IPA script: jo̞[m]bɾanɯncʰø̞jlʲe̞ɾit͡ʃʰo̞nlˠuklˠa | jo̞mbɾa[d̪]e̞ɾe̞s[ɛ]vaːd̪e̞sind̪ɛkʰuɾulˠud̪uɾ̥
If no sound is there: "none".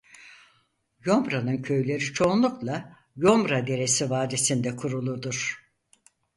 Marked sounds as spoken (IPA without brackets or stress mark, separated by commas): m, d̪, i